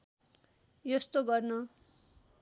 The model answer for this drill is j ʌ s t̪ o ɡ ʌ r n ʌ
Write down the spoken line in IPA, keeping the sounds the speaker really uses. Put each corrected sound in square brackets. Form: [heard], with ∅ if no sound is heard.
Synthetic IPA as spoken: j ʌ s t̪ o ɡ ʌ r n ʌ

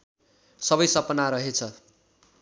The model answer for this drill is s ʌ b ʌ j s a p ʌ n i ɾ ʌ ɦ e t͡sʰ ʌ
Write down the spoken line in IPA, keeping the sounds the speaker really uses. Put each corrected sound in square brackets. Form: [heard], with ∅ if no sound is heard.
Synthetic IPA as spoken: s ʌ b ʌ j s [ʌ] p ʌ n [a] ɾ ʌ ɦ e t͡sʰ ʌ

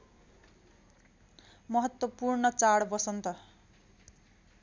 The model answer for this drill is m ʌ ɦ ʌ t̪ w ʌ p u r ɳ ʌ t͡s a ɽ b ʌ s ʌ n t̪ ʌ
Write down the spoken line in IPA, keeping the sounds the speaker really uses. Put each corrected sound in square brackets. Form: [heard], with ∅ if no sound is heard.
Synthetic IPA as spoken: m ʌ ɦ ʌ t̪ w ʌ p u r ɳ ʌ t͡s a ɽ b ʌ s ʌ n t̪ ʌ

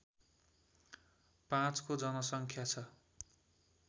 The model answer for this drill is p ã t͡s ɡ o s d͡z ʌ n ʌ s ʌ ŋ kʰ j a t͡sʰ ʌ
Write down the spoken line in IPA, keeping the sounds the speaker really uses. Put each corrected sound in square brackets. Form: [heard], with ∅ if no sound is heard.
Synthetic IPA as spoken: p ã t͡s [k] o [∅] d͡z ʌ n ʌ s ʌ ŋ kʰ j a t͡sʰ ʌ

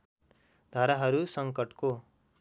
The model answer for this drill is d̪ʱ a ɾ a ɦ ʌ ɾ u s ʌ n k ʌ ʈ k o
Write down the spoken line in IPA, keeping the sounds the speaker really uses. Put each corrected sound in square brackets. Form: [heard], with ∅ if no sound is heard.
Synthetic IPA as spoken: d̪ʱ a ɾ a ɦ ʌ ɾ u s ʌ [ŋ] k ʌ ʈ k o

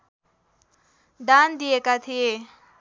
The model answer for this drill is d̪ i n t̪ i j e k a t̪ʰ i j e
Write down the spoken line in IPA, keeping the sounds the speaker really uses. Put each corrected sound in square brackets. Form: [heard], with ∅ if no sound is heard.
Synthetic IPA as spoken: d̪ [a] n [d̪] i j e k a t̪ʰ i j e

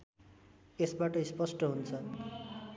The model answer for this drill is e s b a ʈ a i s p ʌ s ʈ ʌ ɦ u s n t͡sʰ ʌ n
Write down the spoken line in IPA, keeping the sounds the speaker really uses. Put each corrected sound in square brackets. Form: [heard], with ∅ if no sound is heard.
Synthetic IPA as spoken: e s b a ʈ [ʌ] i s p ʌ s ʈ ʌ ɦ u [∅] n t͡sʰ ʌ n

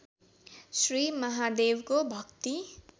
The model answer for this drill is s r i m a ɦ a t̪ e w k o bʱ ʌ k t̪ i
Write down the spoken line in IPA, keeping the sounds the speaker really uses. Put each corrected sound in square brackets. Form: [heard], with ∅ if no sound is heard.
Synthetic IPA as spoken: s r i m [ʌ] ɦ a [d̪] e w k o bʱ ʌ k t̪ i

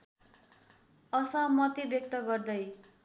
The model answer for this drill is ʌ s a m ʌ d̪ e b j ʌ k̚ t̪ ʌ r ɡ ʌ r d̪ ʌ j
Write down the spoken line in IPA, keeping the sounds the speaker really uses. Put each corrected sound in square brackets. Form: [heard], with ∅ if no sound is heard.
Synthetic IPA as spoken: ʌ s [ʌ] m ʌ [t̪] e b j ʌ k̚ t̪ ʌ [∅] ɡ ʌ r d̪ ʌ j

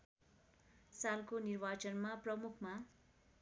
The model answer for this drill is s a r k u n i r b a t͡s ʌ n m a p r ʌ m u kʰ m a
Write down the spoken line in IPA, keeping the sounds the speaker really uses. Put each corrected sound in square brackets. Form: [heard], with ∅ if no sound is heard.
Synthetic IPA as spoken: s a [l] k [o] n i r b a t͡s ʌ n m a p r ʌ m u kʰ m a

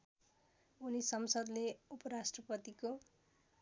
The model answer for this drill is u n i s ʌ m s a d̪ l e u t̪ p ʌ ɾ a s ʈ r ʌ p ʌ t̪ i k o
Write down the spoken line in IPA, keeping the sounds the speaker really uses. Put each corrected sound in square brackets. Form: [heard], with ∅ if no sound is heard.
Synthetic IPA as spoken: u n i s ʌ m s [ʌ] d̪ l e u [∅] p ʌ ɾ a s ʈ r ʌ p ʌ t̪ i k o

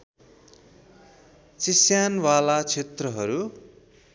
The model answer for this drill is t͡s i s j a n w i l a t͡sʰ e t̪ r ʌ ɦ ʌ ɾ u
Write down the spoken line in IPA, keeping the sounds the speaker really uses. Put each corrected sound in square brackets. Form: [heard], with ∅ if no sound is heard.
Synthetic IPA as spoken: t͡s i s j a n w [a] l a t͡sʰ e t̪ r ʌ ɦ ʌ ɾ u

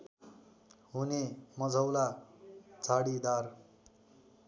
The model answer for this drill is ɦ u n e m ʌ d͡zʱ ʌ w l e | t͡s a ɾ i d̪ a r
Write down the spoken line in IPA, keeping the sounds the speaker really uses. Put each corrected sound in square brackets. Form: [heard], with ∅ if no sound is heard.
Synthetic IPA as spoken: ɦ u n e m ʌ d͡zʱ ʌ w l [a] | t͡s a [ɽ] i d̪ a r

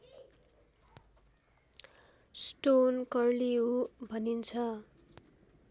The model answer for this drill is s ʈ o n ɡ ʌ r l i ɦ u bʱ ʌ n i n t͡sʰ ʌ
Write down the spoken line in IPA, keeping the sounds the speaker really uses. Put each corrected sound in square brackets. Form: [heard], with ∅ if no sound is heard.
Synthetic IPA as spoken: s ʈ o n [k] ʌ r l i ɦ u bʱ ʌ n i n t͡sʰ ʌ

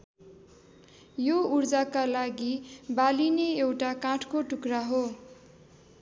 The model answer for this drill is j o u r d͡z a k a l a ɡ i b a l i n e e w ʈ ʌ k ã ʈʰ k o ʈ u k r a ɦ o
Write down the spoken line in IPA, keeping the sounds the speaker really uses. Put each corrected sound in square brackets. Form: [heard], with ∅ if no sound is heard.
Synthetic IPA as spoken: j o u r d͡z a k a l a ɡ i b a l i n e e w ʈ [a] k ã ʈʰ k o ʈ u k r a ɦ o

